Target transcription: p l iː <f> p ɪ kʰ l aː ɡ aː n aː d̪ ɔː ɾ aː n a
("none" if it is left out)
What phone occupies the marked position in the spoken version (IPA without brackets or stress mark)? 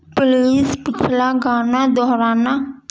s